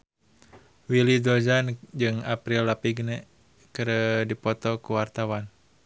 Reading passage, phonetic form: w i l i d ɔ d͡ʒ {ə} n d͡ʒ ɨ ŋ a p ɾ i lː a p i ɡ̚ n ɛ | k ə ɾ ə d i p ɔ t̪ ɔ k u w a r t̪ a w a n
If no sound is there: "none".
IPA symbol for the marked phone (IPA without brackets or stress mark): a